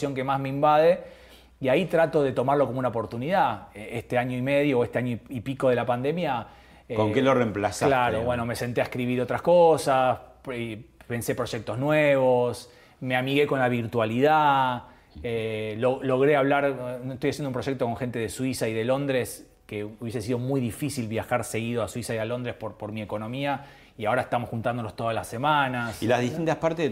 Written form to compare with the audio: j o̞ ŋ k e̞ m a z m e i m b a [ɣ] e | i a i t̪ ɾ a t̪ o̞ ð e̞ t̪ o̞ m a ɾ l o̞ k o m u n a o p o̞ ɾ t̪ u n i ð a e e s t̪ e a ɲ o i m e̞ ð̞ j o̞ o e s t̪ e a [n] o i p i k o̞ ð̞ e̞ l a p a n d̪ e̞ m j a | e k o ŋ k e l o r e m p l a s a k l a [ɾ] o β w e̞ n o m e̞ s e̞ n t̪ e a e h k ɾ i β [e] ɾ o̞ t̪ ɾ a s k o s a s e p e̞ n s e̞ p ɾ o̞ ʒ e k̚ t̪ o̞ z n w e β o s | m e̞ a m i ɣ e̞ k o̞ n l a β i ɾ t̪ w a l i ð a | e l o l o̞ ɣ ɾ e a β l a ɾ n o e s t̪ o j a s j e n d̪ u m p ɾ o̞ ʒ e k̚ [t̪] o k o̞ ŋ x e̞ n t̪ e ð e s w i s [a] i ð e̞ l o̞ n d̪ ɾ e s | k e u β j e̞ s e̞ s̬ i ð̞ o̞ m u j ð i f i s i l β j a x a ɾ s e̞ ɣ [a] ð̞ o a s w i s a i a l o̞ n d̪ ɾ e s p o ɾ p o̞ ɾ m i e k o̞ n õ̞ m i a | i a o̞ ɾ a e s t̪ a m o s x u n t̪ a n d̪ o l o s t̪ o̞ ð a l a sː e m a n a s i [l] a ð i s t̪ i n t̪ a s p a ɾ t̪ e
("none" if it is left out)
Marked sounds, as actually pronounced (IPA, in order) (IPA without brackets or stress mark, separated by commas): ð, ɲ, ɾ, i, t̪, a, i, l